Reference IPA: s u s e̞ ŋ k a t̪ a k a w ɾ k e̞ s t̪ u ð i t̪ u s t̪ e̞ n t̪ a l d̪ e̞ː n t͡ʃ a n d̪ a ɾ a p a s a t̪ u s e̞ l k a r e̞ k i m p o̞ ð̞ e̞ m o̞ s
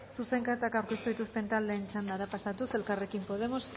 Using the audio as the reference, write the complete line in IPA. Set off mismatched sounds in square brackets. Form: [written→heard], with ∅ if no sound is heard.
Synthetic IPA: s u s e̞ ŋ k a t̪ a k a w ɾ k e̞ s t̪ u ð i t̪ u s t̪ e̞ n t̪ a l d̪ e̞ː n t͡ʃ a n d̪ a ɾ a p a s a t̪ u s e̞ l k a r e̞ k i m p o̞ ð̞ e̞ m o̞ s